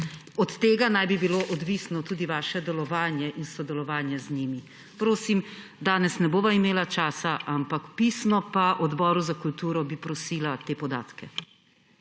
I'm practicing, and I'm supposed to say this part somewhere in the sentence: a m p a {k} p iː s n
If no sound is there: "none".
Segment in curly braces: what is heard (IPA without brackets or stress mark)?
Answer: k